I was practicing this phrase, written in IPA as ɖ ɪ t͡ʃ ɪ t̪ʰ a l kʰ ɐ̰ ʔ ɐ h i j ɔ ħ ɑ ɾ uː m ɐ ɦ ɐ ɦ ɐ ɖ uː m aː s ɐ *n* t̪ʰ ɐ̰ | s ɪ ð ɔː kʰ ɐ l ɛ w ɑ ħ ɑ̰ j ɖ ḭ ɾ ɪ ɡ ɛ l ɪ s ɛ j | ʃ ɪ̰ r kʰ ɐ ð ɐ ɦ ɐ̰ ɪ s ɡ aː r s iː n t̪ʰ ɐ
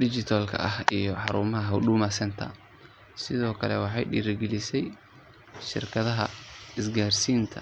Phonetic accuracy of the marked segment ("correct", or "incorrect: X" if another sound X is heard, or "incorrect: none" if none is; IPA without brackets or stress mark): correct